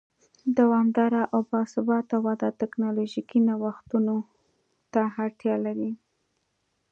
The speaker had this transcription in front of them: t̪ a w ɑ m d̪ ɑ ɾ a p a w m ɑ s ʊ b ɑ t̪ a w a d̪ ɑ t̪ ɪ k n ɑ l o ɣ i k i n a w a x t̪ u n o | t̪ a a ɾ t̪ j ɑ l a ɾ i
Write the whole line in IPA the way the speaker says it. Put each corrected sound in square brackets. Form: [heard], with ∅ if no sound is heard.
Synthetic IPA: [d̪] a w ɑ m d̪ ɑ ɾ a [ʔ] a w [b] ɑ s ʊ b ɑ t̪ a w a d̪ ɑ t̪ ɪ k n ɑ l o [ʒ] i k i n a w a x t̪ u n o | t̪ a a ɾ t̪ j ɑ l a ɾ i